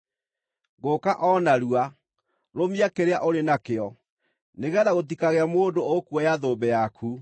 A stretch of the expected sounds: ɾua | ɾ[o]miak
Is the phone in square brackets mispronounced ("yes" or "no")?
no